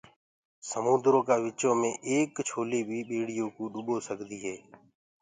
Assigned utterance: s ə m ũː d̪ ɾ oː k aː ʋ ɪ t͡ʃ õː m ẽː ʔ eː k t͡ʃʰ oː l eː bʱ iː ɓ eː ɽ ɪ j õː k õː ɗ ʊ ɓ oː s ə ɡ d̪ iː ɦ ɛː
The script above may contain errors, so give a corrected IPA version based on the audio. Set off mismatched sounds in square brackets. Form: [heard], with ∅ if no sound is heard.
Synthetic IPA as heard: s ə m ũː d̪ ɾ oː k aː ʋ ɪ t͡ʃ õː m ẽː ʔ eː k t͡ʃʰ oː l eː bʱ iː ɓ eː ɽ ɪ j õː k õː ɗ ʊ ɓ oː s ə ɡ d̪ iː ɦ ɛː